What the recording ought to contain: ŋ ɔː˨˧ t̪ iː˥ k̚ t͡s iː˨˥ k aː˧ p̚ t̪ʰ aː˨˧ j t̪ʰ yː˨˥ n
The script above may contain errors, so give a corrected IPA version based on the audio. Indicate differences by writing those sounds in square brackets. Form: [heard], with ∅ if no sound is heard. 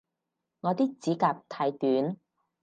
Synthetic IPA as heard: ŋ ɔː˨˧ t̪ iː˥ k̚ t͡s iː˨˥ k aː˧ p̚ t̪ʰ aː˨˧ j [t̪] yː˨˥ n

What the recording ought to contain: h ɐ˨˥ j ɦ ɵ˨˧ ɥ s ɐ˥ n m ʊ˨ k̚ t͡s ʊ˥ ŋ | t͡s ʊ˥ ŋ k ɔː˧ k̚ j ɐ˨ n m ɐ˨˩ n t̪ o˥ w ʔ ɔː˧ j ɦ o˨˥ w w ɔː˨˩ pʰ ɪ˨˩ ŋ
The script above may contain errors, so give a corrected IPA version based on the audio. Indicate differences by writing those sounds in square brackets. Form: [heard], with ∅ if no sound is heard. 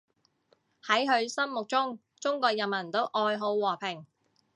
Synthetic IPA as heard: h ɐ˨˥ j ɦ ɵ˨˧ ɥ s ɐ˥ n m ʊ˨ k̚ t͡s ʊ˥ ŋ | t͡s ʊ˥ ŋ k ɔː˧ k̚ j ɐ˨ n m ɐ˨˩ n t̪ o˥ w ʔ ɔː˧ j ɦ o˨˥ w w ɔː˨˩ pʰ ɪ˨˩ ŋ

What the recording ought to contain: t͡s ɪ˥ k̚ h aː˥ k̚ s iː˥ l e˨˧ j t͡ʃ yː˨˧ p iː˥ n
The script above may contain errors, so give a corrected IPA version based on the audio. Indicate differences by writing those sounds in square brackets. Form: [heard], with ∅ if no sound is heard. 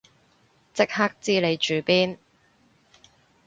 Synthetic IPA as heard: t͡s ɪ˥ k̚ h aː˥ k̚ [t͡s] iː˥ l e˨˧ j t͡ʃ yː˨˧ p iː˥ n

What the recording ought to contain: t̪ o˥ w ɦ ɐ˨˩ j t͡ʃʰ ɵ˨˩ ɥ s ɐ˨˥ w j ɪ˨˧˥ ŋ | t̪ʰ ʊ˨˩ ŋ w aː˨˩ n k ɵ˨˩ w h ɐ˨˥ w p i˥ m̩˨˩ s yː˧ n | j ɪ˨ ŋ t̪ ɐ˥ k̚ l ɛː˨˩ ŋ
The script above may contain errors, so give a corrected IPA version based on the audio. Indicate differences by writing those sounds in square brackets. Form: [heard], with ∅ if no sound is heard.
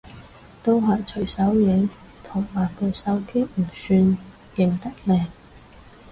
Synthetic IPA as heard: t̪ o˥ w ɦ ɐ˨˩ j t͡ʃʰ ɵ˨˩ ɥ s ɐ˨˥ w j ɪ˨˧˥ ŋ | t̪ʰ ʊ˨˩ ŋ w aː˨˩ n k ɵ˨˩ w [s] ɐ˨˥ w [k] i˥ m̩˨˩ s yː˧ n | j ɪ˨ ŋ t̪ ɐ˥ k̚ l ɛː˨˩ ŋ

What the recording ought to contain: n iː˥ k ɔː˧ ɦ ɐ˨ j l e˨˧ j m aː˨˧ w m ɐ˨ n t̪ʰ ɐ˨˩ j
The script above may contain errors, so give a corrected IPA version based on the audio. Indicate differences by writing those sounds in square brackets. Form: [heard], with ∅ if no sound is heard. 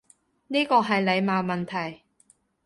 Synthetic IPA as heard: n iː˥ k ɔː˧ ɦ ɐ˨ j l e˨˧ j m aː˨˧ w m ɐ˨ n t̪ʰ ɐ˨˩ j

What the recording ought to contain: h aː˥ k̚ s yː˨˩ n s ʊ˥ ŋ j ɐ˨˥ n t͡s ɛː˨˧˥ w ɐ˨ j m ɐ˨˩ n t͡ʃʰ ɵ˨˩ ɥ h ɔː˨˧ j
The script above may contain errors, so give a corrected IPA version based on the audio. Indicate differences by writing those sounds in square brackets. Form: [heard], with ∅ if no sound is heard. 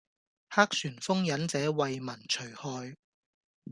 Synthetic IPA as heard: h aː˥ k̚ s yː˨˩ n [f] ʊ˥ ŋ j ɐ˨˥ n t͡s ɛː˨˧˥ w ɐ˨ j m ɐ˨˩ n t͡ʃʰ ɵ˨˩ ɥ h ɔː˨˧ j

